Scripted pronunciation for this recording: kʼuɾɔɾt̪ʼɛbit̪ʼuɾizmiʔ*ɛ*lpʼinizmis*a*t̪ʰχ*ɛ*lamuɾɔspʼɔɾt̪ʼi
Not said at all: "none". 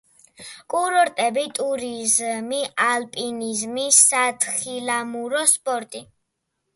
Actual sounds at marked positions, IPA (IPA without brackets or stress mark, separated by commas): a, a, i